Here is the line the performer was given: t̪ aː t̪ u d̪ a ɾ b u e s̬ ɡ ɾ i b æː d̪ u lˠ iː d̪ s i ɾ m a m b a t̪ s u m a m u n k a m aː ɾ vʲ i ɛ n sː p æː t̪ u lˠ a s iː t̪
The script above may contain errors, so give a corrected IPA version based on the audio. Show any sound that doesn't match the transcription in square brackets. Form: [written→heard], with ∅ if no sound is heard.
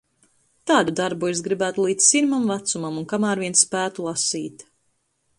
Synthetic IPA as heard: t̪ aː [t̪→d̪] u d̪ a ɾ b u e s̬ ɡ ɾ i b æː [d̪→t̪] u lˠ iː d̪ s i ɾ m a m [b→v] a t̪ s u m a m u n k a m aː ɾ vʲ i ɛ n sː p æː t̪ u lˠ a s iː t̪